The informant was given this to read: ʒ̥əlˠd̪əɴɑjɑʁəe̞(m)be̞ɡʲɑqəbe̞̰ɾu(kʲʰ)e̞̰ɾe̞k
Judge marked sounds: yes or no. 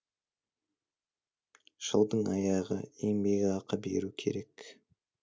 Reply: no, yes

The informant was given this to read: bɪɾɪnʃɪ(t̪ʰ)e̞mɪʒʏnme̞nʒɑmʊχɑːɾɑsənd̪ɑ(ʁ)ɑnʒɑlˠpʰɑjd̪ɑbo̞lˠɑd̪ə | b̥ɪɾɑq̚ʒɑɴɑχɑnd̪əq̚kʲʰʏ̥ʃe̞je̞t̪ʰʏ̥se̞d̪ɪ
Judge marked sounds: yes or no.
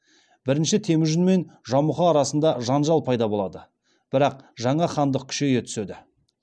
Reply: yes, no

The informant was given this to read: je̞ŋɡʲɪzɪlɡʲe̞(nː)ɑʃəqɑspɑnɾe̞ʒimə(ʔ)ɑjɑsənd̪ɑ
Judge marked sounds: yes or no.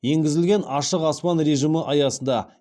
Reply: no, yes

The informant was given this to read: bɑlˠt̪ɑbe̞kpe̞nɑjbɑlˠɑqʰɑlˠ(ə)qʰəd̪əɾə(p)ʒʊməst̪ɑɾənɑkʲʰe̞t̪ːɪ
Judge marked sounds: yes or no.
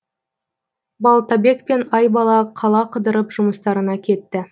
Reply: no, yes

